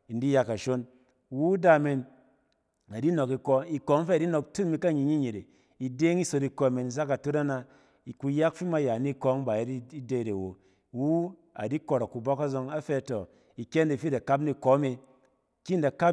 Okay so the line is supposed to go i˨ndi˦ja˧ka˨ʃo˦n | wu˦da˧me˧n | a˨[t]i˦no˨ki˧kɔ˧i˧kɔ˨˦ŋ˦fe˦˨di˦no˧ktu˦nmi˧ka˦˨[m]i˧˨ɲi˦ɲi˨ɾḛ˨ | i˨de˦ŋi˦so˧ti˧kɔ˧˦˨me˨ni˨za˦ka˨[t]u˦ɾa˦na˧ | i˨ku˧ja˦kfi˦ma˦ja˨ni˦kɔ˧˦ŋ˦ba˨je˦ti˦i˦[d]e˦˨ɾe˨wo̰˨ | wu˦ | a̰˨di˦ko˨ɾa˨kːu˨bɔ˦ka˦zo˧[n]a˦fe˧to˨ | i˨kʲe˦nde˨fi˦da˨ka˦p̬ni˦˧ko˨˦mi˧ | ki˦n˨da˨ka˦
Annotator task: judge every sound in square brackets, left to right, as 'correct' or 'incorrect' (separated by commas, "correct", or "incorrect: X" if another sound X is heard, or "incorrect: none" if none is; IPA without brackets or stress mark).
incorrect: d, incorrect: ɲ, correct, correct, incorrect: ŋ